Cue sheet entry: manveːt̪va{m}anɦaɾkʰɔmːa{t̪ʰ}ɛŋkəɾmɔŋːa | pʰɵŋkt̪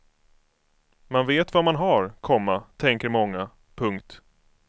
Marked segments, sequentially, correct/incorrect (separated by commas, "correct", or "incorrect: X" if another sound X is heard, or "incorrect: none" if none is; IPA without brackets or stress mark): correct, correct